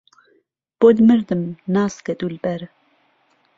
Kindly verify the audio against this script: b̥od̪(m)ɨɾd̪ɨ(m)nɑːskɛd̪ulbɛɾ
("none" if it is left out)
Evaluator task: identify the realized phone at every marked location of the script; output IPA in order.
m, m

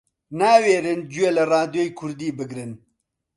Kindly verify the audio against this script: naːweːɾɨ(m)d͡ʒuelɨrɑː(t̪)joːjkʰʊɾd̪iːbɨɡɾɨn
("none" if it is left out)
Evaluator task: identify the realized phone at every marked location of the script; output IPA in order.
n, d̪

